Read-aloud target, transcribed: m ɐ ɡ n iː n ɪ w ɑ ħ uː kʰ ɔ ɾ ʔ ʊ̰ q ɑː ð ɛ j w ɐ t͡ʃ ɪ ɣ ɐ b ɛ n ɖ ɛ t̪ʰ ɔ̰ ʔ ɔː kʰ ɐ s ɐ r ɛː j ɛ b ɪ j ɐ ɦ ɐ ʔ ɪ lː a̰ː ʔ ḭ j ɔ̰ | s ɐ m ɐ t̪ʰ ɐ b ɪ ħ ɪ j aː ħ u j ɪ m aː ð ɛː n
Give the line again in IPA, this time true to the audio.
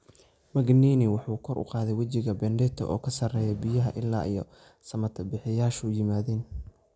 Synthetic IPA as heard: m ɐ ɡ n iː n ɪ w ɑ ħ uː kʰ ɔ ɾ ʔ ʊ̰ q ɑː ð ɛ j w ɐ t͡ʃ ɪ ɣ ɐ b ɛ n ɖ ɛ t̪ʰ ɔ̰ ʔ ɔː kʰ ɐ s ɐ r ɛː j ɛ b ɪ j ɐ ɦ ɐ ʔ ɪ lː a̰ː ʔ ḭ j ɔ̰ | s ɐ m ɐ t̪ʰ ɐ b ɪ ħ ɪ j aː ʃ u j ɪ m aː ð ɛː n

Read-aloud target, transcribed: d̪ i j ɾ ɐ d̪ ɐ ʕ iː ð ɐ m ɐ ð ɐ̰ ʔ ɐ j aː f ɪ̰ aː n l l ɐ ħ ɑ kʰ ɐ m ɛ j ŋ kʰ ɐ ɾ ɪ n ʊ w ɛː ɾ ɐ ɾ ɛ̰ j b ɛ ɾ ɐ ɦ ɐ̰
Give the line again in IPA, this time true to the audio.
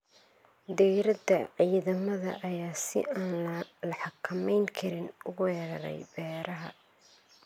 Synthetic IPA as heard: d̪ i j ɾ ɐ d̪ ɐ ʕ iː ð ɐ m ɐ ð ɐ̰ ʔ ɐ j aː s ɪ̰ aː n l l ɐ ħ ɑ kʰ ɐ m ɛ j ŋ kʰ ɐ ɾ ɪ n ʊ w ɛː ɾ ɐ ɾ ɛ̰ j b ɛː ɾ ɐ ɦ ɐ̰

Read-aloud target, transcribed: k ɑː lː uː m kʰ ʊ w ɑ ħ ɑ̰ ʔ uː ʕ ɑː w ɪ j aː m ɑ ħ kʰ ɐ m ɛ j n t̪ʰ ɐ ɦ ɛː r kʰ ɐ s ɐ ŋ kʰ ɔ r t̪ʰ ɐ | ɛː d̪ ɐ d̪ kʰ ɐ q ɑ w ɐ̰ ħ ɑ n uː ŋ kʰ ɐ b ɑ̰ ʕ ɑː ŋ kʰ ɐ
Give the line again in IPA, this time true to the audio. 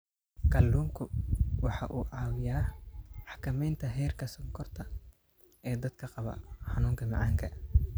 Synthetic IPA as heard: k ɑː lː uː m kʰ ʊ w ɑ ħ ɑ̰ ʔ uː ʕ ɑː w ɪ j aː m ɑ ħ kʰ ɐ m ɛ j n t̪ʰ ɐ ɦ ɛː r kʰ ɐ s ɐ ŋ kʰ ɔ r t̪ʰ ɐ | ɛː d̪ ɐ d̪ kʰ ɐ q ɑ β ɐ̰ ħ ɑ n uː ŋ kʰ ɐ m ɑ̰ ʕ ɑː ŋ kʰ ɐ

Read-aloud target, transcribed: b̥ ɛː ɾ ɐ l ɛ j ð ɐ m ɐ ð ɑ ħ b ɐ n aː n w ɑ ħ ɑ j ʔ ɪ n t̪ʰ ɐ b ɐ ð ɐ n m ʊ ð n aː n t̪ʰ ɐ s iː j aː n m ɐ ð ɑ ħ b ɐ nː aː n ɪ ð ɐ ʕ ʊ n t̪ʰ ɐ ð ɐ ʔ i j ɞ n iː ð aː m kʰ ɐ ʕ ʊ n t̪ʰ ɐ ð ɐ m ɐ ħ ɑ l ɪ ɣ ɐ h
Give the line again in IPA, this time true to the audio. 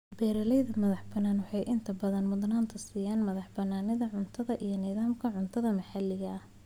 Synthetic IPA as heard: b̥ ɛː ɾ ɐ l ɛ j ð ɐ m ɐ ð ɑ ħ b ɐ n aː n w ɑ ħ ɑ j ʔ ɪ n t̪ʰ ɐ b ɐ ð ɐ n m ʊ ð n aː n t̪ʰ ɐ s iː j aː n m ɐ ð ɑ ħ b ɐ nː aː n ɪ ð ɐ ʕ ʊ n t̪ʰ ɐ ð ɐ ʔ i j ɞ n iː ð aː m kʰ ɐ ʕ ʊ n t̪ʰ ɐ ð ɐ m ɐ ħ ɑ l ɪ ɣ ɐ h

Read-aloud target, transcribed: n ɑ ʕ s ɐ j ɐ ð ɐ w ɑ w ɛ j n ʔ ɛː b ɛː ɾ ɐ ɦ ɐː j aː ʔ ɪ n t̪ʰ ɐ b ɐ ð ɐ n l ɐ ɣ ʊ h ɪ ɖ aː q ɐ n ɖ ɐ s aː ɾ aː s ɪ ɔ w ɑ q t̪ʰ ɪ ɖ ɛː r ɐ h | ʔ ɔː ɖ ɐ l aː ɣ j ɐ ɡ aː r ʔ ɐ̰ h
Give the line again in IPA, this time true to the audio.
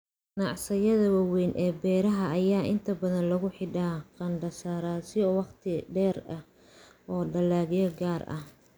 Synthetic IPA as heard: n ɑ ʕ s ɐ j ɐ ð ɐ w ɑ w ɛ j n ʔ ɛː b ɛː ɾ ɐ ɦ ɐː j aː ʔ ɪ n t̪ʰ ɐ b ɐ ð ɐ n l ɐ ɣ ʊ ħ ɪ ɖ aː q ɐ n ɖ ɐ s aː ɾ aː s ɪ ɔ w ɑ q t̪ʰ ɪ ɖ ɛː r ɐ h | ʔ ɔː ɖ ɐ l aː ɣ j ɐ ɡ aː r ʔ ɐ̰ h

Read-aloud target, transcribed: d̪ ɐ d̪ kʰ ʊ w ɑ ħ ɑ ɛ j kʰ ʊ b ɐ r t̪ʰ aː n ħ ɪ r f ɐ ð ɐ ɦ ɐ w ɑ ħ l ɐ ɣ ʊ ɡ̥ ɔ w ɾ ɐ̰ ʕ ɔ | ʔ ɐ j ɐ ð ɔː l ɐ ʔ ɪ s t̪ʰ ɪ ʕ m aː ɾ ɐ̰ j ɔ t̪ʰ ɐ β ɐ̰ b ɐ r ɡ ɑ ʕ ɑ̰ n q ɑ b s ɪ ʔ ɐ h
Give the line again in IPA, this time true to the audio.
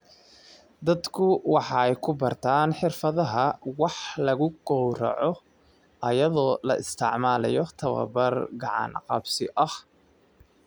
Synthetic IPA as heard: d̪ ɐ d̪ kʰ ʊ w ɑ ħ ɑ ɛ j kʰ ʊ b ɐ r t̪ʰ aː n ħ ɪ r f ɐ ð ɐ ɦ ɐ w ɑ ħ l ɐ ɣ ʊ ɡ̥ ɔ w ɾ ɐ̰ ʕ ɔ | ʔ ɐ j ɐ ð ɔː l ɐ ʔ ɪ s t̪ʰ ɪ ʕ m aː l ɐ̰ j ɔ t̪ʰ ɐ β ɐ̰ b ɐ r ɡ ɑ ʕ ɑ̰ n q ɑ b s ɪ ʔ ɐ h

